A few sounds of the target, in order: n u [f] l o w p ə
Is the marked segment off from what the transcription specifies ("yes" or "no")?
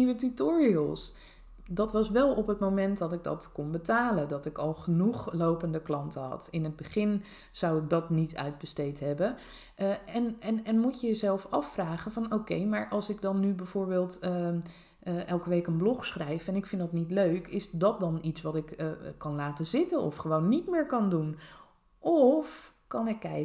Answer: yes